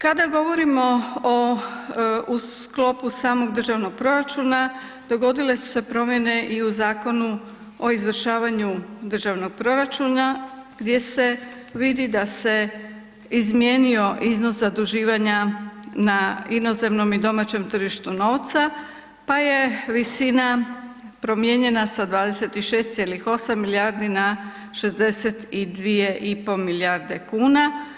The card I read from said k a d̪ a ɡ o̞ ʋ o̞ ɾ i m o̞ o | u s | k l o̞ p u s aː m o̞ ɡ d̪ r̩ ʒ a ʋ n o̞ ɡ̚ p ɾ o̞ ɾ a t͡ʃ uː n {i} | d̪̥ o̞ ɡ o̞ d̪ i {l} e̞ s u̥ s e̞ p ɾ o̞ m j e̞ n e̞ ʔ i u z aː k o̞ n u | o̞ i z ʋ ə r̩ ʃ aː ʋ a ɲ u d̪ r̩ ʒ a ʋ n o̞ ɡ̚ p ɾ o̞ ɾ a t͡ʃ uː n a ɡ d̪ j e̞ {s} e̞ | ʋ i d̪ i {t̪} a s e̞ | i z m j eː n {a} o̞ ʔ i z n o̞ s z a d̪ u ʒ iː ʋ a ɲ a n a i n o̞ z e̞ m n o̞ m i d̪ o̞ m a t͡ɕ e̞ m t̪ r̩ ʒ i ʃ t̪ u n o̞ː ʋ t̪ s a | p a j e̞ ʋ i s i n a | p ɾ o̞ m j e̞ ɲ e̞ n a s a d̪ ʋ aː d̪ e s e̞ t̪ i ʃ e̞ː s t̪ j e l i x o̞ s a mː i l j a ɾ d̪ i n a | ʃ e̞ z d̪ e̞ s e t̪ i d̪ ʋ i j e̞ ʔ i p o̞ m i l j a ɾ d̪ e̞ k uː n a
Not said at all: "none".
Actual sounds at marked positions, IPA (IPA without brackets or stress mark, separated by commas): a, l, s, d̪, i